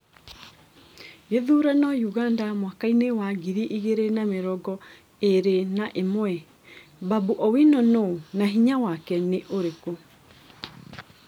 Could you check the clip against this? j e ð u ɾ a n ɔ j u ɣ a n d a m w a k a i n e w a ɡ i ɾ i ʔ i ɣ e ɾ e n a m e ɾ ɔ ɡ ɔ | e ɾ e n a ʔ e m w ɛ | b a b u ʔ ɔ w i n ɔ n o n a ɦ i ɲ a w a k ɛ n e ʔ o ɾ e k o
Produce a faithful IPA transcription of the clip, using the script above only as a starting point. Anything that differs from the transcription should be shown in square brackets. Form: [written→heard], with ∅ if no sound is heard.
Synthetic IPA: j e ð u ɾ a n ɔ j u ɣ a n d a m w a k a i n e w a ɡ i ɾ i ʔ i ɣ e ɾ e n a m e ɾ ɔ ɡ ɔ | e ɾ e n a ʔ e m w ɛ | b a b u ʔ ɔ w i n ɔ n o n a ɦ i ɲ a w a k ɛ n e ʔ o ɾ e k o